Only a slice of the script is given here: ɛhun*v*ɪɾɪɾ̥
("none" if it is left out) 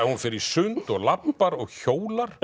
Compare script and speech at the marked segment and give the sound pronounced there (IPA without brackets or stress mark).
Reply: f